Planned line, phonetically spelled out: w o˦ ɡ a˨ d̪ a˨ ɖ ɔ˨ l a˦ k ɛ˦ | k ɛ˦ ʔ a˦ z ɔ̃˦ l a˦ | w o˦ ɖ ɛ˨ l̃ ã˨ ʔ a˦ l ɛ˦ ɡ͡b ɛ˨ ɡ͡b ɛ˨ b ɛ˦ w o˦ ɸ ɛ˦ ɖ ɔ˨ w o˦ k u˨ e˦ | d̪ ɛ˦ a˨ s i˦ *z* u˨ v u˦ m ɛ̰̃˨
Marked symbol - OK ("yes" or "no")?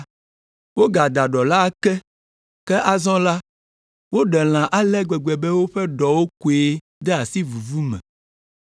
no